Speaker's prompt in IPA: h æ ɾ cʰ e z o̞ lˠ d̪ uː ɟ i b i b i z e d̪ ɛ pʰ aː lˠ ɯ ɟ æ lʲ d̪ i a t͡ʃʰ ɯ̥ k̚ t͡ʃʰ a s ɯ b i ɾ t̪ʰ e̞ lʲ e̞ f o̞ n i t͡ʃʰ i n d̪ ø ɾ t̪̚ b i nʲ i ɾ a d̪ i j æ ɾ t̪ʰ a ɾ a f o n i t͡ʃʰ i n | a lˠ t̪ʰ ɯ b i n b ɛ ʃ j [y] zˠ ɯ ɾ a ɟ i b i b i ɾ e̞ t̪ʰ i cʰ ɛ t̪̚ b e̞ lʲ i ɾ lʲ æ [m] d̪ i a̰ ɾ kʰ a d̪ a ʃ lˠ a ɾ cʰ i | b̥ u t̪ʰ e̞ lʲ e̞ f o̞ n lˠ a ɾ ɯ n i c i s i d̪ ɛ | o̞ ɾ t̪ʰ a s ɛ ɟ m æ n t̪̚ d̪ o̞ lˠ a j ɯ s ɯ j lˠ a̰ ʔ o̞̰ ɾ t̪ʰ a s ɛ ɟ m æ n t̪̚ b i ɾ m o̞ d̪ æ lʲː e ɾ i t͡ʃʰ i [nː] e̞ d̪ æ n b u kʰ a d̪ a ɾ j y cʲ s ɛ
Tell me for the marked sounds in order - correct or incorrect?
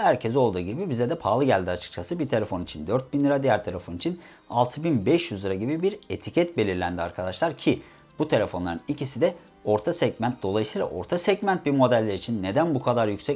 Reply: correct, incorrect, correct

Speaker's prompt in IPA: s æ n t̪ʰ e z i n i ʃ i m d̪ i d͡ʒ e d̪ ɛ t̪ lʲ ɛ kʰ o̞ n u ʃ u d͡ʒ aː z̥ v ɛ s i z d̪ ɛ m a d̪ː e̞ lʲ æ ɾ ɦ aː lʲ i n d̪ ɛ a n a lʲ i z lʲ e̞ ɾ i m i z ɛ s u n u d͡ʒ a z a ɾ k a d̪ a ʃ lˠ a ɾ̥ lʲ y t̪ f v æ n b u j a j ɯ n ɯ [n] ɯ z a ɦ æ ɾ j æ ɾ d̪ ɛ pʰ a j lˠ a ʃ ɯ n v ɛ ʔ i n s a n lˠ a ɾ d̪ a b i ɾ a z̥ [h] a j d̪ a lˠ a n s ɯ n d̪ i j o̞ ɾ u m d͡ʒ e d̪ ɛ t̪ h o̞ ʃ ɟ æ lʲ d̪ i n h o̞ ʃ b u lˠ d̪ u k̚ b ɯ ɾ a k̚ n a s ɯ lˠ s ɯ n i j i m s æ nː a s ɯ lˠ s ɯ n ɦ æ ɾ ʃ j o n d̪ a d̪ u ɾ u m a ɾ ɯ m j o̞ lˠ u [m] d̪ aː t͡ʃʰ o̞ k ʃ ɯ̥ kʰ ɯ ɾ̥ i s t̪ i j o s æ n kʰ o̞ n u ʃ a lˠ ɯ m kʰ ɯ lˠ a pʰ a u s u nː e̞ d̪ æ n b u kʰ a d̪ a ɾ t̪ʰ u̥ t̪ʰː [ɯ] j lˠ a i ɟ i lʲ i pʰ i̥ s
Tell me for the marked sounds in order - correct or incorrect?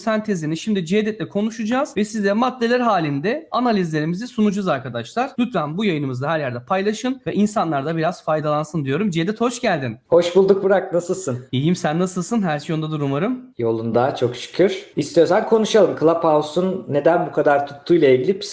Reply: incorrect, incorrect, incorrect, incorrect

